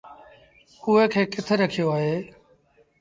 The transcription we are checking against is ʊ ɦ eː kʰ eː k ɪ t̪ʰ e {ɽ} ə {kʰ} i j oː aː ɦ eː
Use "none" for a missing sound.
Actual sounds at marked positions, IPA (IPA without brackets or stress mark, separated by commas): ɾ, kʰ